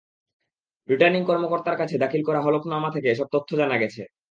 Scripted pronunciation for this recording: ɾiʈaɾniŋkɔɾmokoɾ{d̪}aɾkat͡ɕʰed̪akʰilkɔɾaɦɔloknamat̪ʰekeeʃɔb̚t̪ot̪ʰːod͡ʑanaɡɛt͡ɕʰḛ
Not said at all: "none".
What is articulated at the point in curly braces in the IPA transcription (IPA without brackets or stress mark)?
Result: t̪